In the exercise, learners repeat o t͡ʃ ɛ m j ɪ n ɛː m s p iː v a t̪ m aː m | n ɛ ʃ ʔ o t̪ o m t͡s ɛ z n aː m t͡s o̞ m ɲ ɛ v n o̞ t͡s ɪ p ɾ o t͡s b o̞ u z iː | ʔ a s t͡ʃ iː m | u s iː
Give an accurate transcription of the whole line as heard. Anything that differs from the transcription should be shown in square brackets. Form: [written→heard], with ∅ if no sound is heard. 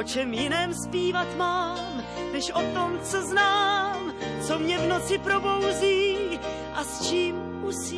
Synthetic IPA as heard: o t͡ʃ ɛ m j ɪ n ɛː m s p iː v a t̪ m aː m | n ɛ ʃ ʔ o t̪ o m t͡s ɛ z n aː m t͡s o̞ m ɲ ɛ v n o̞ t͡s ɪ p ɾ o [t͡s→∅] b o̞ [u→w] z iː | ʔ a s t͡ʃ iː m | u s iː